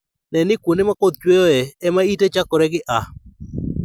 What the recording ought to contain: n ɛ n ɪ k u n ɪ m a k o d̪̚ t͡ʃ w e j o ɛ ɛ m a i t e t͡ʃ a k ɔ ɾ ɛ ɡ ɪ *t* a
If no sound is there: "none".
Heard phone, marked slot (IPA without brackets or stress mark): ʔ